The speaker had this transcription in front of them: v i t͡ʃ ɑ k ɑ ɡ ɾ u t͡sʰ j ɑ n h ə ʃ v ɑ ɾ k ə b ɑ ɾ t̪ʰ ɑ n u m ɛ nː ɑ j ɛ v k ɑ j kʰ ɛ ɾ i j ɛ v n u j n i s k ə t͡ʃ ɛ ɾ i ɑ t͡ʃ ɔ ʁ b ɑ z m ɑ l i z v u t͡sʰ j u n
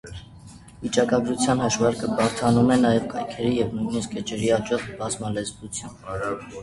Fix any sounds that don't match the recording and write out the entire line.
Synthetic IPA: v i t͡ʃ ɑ k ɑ ɡ ɾ u t͡sʰ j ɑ n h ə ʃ v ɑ ɾ k ə b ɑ ɾ t̪ʰ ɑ n u m ɛ n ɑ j ɛ v k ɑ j kʰ ɛ ɾ i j ɛ v n u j n i s k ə t͡ʃ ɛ ɾ i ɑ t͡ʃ ɔ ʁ b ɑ z m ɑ l ɛ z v u t͡sʰ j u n